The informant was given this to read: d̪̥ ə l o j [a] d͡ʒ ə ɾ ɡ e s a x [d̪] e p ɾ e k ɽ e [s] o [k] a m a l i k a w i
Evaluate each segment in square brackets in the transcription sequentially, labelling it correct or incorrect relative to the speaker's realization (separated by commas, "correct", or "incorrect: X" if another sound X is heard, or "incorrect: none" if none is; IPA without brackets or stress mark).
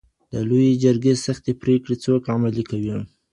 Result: incorrect: e, incorrect: t̪, incorrect: t͡s, correct